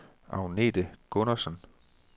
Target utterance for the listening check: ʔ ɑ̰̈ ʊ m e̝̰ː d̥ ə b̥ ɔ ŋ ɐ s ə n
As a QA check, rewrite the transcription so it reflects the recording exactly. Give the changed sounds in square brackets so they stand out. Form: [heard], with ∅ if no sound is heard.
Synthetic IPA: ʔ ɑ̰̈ ʊ [n] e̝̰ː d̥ ə [ɡ̥] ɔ [n] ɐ s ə n